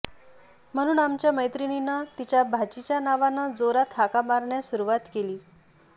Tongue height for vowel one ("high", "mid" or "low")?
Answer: mid